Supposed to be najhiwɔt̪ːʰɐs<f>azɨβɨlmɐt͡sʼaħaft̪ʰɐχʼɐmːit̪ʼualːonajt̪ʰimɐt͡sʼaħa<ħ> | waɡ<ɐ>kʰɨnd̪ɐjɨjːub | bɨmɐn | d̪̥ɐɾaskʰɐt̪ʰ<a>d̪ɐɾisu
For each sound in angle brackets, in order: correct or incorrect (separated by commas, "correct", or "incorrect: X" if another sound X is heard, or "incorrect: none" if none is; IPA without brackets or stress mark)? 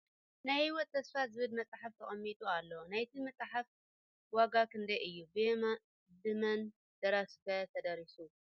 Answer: correct, incorrect: f, incorrect: a, incorrect: ɐ